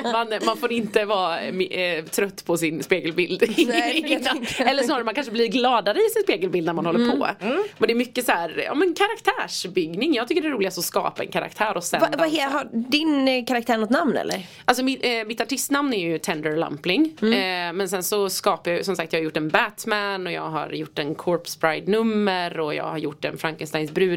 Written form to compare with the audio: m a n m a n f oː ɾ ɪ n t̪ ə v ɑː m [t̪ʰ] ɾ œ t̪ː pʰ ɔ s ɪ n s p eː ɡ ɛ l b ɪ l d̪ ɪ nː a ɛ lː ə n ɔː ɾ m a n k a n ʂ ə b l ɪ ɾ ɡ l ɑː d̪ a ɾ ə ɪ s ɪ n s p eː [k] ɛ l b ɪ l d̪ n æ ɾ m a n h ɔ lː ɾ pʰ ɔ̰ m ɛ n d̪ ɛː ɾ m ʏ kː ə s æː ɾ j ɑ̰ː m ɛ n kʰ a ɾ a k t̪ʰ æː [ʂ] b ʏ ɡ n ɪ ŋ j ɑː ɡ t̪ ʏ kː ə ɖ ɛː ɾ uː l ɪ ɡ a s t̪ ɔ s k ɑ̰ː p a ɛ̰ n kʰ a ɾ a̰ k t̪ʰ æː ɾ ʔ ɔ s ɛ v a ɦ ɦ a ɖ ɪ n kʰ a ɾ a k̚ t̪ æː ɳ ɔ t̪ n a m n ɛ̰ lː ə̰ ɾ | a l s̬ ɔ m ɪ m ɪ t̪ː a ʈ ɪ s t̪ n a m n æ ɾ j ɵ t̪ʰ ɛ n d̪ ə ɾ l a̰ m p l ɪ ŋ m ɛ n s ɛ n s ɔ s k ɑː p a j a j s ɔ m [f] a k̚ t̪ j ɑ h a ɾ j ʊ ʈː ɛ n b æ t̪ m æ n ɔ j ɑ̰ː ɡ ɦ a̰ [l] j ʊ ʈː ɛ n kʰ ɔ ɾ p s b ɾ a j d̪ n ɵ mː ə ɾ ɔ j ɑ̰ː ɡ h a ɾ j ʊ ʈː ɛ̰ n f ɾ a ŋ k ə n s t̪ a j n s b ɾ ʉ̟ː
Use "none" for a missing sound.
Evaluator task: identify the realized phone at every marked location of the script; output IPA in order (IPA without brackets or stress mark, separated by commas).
t̪ʰ, ɡ, ʂ, s, ɾ